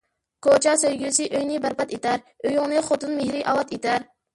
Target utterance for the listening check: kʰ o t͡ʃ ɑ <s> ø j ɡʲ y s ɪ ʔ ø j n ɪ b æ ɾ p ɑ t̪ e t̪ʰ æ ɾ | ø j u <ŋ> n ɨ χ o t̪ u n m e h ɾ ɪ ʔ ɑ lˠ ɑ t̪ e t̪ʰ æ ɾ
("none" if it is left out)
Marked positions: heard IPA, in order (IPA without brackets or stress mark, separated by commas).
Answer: s, ŋ